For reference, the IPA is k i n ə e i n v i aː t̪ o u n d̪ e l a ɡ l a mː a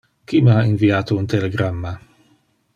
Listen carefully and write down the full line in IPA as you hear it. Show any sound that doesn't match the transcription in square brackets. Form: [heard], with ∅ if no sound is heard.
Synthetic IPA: k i [m] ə [a] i n v i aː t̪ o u n [t̪] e l [e] ɡ [ɾ] a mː a